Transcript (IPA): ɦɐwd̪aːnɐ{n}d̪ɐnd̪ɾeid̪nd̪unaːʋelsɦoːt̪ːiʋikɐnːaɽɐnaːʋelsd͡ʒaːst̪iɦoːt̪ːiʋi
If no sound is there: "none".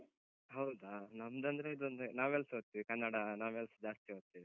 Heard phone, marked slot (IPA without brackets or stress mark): m